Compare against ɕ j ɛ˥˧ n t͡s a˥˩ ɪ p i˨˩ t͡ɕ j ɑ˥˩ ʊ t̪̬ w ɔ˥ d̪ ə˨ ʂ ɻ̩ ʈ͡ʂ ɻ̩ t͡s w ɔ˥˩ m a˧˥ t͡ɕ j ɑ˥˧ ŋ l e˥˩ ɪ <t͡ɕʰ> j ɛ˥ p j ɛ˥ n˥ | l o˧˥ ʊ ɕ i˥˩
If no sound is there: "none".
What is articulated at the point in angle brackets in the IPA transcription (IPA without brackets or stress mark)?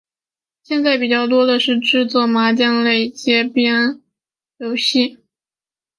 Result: t͡ɕ